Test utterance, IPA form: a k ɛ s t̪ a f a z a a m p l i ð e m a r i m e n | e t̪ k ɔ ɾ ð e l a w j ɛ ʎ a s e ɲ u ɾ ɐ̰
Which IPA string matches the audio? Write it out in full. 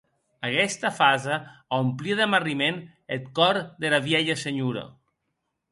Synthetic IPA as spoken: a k ɛ s t̪ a f a z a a m p l i ð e m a r i m e n | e t̪ k ɔ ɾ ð e l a β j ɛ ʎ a s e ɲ u ɾ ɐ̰